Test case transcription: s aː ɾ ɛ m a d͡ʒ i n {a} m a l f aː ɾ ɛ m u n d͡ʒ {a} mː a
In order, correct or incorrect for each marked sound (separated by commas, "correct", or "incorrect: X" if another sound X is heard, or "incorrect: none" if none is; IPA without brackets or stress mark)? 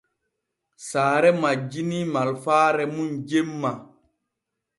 incorrect: i, incorrect: e